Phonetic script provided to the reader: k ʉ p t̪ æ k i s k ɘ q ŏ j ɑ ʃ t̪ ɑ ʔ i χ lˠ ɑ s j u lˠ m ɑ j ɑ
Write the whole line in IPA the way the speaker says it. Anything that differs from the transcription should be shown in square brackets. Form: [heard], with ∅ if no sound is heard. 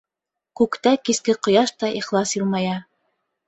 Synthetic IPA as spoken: k ʉ [k] t̪ æ k i s k ɘ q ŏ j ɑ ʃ t̪ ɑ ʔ i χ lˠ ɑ s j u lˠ m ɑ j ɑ